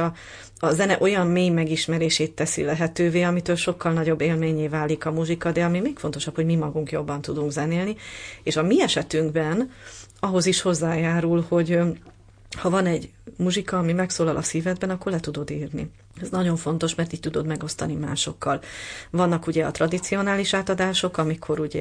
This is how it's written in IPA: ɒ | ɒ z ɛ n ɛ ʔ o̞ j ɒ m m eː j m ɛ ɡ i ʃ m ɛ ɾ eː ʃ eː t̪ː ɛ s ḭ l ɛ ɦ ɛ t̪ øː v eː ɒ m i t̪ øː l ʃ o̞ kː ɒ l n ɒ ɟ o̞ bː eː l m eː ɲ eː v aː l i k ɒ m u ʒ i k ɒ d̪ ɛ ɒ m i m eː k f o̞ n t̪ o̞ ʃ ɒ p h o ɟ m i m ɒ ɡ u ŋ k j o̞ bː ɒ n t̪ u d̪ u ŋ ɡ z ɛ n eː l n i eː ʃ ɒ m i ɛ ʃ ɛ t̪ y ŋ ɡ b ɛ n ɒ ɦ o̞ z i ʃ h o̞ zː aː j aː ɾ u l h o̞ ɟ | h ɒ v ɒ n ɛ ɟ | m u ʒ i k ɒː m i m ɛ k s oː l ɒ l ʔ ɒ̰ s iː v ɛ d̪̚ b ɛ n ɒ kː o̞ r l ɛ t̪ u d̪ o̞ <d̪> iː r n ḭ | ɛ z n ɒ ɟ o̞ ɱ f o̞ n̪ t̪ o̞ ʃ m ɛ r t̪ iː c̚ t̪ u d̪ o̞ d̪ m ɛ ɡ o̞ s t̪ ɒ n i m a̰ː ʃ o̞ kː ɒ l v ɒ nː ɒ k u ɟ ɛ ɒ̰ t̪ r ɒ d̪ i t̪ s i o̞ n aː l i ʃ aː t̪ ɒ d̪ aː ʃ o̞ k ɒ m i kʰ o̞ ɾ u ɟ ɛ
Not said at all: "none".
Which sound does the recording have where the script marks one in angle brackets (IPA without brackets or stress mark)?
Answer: d̪